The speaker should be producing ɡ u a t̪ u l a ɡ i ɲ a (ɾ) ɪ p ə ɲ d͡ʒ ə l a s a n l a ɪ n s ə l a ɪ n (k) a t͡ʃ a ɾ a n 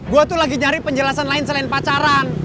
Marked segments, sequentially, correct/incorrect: correct, incorrect: p

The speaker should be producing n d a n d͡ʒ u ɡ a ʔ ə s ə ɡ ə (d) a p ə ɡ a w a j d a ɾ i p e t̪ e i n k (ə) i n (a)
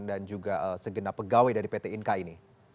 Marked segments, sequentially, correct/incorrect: incorrect: n, incorrect: a, incorrect: i

